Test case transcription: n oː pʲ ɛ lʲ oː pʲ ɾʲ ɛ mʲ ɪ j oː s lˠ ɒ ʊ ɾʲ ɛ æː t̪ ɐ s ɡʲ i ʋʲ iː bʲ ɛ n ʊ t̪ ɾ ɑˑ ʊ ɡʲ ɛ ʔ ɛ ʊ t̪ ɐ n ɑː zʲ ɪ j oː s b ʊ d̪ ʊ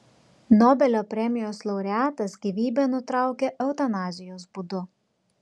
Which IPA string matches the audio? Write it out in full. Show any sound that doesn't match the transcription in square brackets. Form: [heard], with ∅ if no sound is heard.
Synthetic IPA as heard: n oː [bʲ] ɛ lʲ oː pʲ ɾʲ ɛ mʲ ɪ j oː s lˠ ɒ ʊ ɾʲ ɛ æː t̪ ɐ s ɡʲ i ʋʲ iː bʲ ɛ n ʊ t̪ ɾ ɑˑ ʊ [kʲ] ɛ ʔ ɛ ʊ t̪ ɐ n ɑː zʲ ɪ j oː s b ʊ d̪ ʊ

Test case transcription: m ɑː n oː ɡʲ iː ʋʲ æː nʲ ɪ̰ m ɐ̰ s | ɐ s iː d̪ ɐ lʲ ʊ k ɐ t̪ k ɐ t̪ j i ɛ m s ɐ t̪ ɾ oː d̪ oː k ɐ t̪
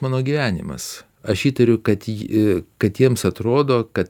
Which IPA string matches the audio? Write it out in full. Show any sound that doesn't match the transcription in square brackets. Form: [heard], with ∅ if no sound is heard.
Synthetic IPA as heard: m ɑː n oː ɡʲ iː ʋʲ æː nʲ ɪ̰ m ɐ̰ s | ɐ [ʃ] iː [t̪] ɐ [ɾʲ] ʊ k ɐ t̪ k ɐ t̪ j i ɛ m s ɐ t̪ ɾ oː d̪ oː k ɐ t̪

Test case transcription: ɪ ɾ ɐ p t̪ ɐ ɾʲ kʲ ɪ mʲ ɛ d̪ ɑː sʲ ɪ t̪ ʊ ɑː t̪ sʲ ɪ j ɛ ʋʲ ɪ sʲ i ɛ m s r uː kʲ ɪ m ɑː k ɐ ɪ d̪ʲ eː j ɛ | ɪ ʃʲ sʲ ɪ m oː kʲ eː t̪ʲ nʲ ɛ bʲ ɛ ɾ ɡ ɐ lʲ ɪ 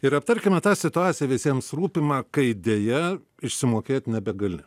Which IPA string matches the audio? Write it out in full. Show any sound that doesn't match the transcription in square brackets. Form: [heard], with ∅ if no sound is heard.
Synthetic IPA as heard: ɪ ɾ ɐ p t̪ ɐ ɾʲ kʲ ɪ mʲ ɛ [t̪] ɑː sʲ ɪ t̪ ʊ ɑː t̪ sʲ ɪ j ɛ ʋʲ ɪ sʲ i ɛ m s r uː [pʲ] ɪ m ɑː k ɐ ɪ d̪ʲ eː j ɛ | ɪ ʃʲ sʲ ɪ m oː kʲ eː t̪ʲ nʲ ɛ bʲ ɛ [∅] ɡ ɐ lʲ ɪ

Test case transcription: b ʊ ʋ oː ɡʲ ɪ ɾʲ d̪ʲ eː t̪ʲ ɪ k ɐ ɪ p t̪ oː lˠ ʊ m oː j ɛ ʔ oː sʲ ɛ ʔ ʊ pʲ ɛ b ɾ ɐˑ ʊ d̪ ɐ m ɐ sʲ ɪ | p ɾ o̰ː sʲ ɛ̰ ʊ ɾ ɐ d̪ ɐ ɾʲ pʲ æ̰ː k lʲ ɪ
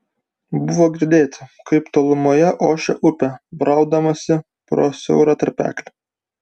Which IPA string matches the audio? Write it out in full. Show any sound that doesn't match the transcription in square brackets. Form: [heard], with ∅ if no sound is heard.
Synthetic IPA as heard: b ʊ ʋ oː ɡʲ ɪ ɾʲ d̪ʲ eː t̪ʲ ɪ k ɐ ɪ p t̪ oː lˠ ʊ m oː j ɛ ʔ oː [ʃʲ] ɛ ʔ ʊ pʲ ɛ b ɾ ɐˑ ʊ d̪ ɐ m ɐ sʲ ɪ | p ɾ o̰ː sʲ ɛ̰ ʊ ɾ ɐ [t̪] ɐ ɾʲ pʲ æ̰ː k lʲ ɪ

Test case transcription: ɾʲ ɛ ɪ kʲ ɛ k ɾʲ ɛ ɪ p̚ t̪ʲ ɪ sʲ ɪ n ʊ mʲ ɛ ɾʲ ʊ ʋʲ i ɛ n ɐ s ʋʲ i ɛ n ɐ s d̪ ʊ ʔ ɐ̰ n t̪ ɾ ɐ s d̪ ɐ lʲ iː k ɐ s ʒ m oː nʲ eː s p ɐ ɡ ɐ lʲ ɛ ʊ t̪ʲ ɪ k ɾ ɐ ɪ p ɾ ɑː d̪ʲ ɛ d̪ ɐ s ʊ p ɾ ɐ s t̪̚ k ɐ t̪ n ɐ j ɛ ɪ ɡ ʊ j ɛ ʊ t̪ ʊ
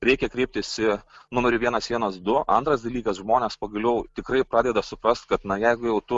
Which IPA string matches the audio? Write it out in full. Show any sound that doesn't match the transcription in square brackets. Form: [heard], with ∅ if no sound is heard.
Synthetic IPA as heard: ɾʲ ɛ ɪ kʲ ɛ k ɾʲ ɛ ɪ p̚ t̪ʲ ɪ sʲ ɪ n ʊ mʲ ɛ ɾʲ ʊ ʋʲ i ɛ n ɐ s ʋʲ i ɛ n ɐ s d̪ ʊ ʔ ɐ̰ n t̪ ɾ ɐ s d̪ ɐ lʲ iː k ɐ s ʒ m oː nʲ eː s p ɐ ɡ ɐ lʲ ɛ ʊ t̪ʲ ɪ k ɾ ɐ ɪ p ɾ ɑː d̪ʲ ɛ d̪ ɐ s ʊ p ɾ ɐ s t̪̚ k ɐ t̪ n ɐ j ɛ ɪ ɡ ʊ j ɛ ʊ t̪ ʊ

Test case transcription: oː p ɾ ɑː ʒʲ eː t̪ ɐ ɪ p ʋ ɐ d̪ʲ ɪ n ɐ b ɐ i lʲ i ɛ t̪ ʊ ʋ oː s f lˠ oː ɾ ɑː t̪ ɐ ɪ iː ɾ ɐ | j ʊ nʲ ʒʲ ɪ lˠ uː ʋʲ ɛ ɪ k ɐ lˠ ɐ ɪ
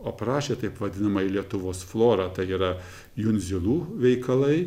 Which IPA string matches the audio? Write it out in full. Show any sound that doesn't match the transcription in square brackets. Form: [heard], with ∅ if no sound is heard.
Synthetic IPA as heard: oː p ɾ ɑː [ʃʲ] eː t̪ ɐ ɪ p ʋ ɐ d̪ʲ ɪ n ɐ [m] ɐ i lʲ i ɛ t̪ ʊ ʋ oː s f lˠ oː ɾ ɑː t̪ ɐ ɪ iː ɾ ɐ | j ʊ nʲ [zʲ] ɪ lˠ uː ʋʲ ɛ ɪ k ɐ lˠ ɐ ɪ

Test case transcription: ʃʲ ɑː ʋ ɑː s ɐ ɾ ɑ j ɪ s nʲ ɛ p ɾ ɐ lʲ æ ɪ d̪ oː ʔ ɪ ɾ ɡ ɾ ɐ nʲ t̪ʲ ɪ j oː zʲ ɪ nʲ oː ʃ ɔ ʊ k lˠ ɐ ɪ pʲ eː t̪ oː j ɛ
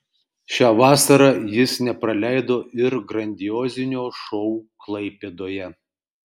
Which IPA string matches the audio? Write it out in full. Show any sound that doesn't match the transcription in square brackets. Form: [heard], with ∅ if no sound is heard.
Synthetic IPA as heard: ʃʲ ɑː ʋ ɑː s ɐ ɾ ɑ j ɪ s nʲ ɛ p ɾ ɐ lʲ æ ɪ d̪ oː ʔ ɪ ɾ ɡ ɾ ɐ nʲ [d̪ʲ] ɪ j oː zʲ ɪ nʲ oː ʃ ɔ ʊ k lˠ ɐ ɪ pʲ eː [d̪] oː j ɛ

